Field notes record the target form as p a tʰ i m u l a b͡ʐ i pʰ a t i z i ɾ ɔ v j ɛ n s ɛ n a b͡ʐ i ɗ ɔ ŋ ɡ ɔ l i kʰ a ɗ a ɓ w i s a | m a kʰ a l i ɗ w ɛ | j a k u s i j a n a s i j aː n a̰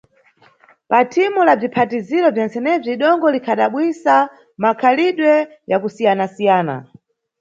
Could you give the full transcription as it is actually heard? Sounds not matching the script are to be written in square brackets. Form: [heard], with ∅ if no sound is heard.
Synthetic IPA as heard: p a tʰ i m u l a b͡ʐ i pʰ a t i z i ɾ ɔ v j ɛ n s ɛ n [ɛ] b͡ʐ i ɗ ɔ ŋ ɡ ɔ l i kʰ a ɗ a ɓ w i s a | m a kʰ a l i ɗ w ɛ | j a k u s i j a n a s i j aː n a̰